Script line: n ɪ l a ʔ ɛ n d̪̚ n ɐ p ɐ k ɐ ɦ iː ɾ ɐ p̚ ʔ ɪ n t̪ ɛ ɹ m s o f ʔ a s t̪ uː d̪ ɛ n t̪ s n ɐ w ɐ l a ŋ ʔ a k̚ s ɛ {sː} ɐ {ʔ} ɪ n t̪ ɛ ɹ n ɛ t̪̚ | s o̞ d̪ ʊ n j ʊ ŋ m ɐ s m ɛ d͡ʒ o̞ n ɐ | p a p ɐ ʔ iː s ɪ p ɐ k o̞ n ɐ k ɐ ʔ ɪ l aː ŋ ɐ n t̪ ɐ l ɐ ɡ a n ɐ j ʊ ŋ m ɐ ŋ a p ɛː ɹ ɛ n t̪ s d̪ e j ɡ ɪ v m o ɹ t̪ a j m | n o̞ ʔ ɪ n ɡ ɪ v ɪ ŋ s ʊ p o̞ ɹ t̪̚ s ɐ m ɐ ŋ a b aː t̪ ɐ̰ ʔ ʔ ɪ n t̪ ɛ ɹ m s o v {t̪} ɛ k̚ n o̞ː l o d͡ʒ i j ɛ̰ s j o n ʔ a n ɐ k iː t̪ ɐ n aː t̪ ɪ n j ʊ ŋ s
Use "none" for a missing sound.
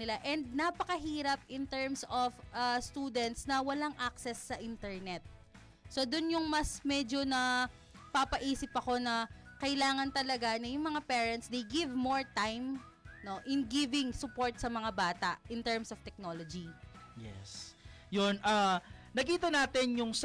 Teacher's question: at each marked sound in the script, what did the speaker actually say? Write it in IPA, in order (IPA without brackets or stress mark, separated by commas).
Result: sː, ʔ, t̪